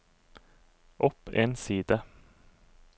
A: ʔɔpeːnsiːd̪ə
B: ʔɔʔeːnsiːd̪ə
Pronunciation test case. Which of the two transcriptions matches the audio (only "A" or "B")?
A